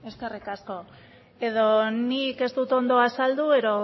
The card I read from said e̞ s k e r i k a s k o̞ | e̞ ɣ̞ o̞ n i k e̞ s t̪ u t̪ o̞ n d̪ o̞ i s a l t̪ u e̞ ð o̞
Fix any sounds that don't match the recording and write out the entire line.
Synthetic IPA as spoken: e̞ s k e r i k a s k o̞ | e̞ ð̞ o̞ n i k e̞ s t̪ u t̪ o̞ n d̪ o̞ a s a l d̪ u e̞ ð o̞